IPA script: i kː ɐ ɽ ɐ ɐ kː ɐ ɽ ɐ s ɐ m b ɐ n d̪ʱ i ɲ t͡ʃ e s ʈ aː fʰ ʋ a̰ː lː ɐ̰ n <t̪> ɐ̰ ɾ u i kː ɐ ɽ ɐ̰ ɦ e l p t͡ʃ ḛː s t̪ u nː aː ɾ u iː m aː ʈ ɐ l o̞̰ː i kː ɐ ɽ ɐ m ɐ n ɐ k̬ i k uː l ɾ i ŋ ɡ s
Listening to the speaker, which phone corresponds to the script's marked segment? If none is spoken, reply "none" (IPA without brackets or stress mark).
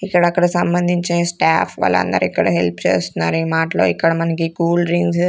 d̪